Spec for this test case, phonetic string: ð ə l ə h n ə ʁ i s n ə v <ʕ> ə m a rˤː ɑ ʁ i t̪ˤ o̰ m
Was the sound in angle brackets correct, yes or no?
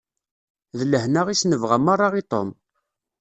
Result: no